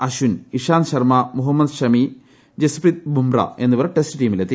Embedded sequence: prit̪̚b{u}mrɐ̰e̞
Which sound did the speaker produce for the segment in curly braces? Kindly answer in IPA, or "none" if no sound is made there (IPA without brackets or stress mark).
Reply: u